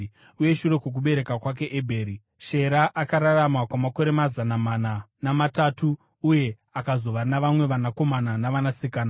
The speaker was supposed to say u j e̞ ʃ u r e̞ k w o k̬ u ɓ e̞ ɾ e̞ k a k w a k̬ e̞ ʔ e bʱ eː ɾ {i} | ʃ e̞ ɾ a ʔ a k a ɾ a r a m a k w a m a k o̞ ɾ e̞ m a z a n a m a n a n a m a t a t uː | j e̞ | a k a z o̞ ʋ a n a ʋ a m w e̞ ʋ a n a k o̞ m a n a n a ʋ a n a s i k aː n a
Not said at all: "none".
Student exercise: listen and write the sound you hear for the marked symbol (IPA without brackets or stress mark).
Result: i